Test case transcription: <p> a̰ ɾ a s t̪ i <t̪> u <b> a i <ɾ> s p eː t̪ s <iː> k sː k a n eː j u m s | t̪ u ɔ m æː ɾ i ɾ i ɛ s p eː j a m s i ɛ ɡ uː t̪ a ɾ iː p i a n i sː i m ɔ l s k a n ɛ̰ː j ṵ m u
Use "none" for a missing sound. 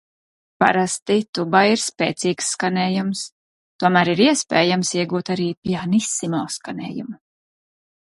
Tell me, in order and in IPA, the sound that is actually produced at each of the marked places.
p, t̪, b, ɾ, iː

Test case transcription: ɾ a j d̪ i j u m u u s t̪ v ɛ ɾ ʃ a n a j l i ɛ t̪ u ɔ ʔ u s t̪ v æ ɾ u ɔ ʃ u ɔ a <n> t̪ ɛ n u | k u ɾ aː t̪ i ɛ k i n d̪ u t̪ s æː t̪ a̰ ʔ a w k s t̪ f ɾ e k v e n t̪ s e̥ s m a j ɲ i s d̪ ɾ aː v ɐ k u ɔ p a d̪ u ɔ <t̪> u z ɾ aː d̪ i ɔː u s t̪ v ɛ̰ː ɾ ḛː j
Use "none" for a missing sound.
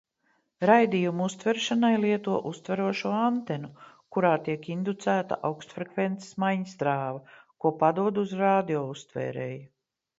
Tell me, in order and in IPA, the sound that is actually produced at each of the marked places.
n, d̪

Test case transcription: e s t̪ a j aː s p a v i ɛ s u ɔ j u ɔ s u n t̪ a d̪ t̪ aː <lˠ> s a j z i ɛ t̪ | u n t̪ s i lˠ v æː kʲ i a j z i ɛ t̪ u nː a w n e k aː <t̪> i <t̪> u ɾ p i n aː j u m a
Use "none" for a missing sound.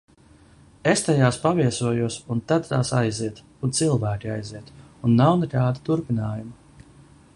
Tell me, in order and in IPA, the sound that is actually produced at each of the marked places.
none, d̪, t̪

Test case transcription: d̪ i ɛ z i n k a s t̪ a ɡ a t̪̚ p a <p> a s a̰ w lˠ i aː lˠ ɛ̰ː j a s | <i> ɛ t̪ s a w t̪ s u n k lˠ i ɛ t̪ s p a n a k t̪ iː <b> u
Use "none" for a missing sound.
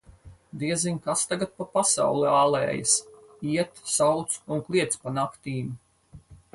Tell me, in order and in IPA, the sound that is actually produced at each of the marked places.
p, i, m

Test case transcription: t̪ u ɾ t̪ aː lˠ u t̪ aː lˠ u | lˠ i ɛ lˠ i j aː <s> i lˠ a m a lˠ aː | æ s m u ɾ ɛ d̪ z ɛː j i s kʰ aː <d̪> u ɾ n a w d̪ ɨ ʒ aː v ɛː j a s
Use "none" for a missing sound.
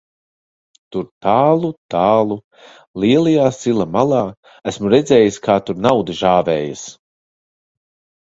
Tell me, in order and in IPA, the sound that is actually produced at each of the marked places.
s, t̪

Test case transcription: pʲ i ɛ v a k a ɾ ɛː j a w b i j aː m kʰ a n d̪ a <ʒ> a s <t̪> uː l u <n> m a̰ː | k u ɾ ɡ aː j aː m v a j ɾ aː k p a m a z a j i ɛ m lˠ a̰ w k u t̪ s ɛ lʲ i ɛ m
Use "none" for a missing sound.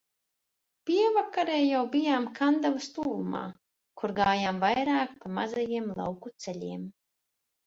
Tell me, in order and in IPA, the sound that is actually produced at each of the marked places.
v, t̪, none

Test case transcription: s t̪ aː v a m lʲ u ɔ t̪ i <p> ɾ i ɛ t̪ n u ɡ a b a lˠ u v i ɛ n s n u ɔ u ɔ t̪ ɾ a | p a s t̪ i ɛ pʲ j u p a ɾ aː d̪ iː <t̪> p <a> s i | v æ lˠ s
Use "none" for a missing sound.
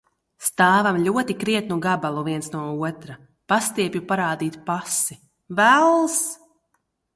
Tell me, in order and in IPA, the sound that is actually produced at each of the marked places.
k, t̪, a

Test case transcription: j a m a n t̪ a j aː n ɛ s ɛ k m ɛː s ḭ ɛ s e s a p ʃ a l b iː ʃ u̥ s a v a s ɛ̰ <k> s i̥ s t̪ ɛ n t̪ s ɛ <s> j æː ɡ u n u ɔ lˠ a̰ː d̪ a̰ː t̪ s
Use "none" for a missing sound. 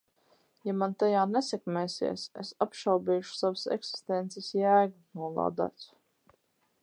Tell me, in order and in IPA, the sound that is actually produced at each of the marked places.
k, s

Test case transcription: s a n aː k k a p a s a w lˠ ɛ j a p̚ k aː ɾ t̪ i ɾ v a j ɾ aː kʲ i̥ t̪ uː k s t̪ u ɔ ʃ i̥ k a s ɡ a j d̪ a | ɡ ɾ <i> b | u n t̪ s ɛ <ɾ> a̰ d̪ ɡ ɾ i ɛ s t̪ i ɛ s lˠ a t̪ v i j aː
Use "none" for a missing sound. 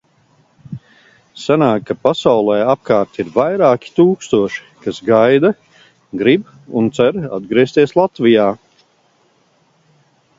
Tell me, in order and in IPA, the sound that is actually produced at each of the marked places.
i, ɾ

